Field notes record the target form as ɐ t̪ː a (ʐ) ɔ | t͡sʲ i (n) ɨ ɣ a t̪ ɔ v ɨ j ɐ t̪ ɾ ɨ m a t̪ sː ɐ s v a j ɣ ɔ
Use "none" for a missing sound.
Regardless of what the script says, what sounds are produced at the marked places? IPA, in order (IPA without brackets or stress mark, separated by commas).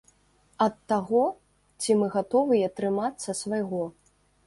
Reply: ɣ, m